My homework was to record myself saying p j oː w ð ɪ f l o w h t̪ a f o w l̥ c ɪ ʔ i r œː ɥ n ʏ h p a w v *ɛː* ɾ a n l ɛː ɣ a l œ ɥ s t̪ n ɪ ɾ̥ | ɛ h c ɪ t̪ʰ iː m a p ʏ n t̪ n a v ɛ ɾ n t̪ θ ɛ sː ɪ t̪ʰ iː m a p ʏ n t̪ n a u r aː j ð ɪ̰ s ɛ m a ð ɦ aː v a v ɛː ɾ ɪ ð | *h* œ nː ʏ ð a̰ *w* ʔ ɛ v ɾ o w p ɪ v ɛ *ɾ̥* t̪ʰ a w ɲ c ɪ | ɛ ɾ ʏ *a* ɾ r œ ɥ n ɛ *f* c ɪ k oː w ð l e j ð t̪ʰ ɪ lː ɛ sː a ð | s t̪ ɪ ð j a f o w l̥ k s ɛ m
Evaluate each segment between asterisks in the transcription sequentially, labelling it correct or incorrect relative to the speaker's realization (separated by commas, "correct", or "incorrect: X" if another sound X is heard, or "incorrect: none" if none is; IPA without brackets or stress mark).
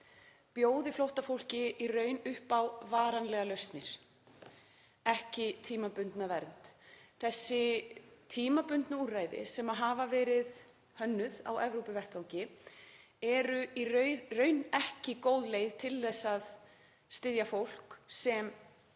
incorrect: aː, correct, correct, incorrect: r̥, incorrect: i, incorrect: h